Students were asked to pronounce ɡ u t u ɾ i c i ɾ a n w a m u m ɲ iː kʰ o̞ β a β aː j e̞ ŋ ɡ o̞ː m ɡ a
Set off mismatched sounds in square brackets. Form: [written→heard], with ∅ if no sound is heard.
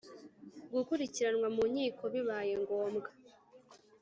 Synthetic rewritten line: ɡ u [t→k] u ɾ i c i ɾ a n w a m u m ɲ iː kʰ o̞ β [a→i] β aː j e̞ ŋ ɡ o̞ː m ɡ a

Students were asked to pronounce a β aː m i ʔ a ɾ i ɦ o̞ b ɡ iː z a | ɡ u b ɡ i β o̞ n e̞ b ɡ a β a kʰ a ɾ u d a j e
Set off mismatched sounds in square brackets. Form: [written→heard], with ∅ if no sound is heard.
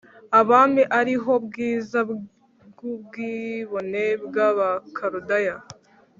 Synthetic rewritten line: a β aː m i ʔ a ɾ i ɦ o̞ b ɡ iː z a | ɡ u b ɡ i β o̞ n e̞ b ɡ a β a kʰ a ɾ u d a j [e→a]

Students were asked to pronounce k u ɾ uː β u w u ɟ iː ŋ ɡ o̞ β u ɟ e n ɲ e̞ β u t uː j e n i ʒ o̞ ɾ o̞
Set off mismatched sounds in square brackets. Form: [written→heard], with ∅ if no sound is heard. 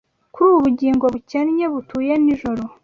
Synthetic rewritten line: k u ɾ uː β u [w→β] u ɟ iː ŋ ɡ o̞ β u [ɟ→c] e n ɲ e̞ β u t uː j e n i ʒ o̞ ɾ o̞

